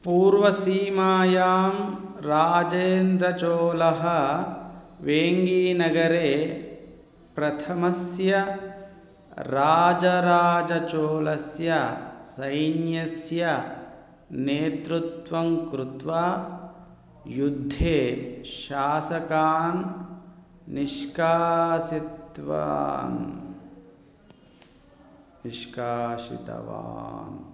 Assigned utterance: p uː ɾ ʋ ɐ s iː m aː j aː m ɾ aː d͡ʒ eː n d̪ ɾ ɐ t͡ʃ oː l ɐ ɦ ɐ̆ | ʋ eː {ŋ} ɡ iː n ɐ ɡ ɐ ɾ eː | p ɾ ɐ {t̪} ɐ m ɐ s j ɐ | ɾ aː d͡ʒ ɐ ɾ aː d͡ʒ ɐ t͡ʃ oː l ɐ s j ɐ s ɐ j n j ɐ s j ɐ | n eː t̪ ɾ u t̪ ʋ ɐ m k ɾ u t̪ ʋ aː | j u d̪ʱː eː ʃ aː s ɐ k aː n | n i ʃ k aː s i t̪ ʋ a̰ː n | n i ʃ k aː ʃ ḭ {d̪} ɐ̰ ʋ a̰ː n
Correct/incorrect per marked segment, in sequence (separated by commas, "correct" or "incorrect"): correct, incorrect, incorrect